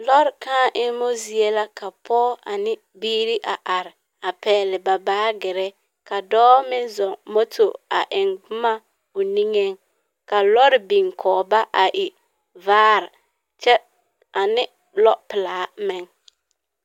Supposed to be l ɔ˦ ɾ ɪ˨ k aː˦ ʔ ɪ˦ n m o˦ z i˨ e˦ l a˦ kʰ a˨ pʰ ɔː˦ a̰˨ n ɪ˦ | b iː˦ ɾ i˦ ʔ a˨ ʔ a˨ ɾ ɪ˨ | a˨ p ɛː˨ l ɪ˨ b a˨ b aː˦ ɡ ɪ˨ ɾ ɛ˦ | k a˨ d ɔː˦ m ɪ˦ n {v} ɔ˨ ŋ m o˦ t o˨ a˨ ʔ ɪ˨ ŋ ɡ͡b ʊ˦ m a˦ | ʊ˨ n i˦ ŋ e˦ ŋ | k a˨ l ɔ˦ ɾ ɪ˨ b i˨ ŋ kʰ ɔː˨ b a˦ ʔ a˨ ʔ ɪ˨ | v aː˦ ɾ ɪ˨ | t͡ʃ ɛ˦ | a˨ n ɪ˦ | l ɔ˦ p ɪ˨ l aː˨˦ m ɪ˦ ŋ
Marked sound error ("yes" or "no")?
yes